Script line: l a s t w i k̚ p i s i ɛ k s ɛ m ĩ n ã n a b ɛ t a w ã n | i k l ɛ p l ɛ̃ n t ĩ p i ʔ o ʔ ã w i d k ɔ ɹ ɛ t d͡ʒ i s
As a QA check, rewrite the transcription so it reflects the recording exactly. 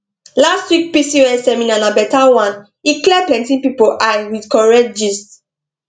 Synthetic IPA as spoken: l a s t w i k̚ p i s i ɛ s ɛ m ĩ n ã n a b ɛ t a w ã n | i k l ɛ p l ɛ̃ n t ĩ p i p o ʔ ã w i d k ɔ ɹ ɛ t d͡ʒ i s